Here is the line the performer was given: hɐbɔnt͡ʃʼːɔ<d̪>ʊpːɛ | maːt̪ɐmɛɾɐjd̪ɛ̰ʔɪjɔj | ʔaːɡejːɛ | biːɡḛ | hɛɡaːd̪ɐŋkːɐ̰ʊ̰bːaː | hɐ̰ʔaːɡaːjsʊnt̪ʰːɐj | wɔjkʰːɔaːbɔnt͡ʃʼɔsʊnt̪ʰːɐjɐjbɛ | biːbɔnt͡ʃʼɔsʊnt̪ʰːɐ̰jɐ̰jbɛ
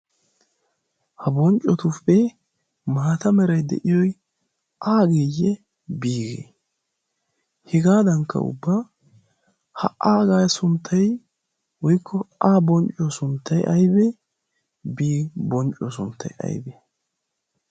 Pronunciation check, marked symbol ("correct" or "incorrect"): incorrect